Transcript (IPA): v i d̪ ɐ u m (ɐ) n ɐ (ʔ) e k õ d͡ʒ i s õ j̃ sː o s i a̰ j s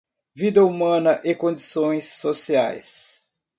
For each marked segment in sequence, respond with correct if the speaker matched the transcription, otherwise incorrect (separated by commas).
incorrect, correct